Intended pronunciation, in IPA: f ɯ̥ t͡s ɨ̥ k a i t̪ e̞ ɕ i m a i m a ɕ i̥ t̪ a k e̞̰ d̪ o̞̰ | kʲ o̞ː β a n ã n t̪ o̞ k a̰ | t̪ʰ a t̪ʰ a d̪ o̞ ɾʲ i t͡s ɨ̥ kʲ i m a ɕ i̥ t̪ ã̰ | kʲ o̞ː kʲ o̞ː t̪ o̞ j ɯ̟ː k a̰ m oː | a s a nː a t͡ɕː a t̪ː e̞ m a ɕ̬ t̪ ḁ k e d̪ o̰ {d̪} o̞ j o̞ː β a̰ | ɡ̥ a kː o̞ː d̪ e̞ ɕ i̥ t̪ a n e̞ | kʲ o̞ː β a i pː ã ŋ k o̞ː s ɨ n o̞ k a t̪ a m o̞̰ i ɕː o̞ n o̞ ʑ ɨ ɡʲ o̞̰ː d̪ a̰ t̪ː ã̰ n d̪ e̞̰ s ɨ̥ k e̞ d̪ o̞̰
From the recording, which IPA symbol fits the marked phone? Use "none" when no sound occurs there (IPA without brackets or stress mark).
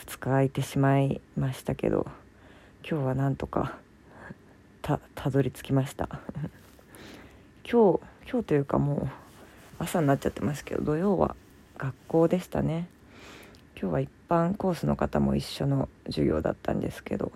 d̪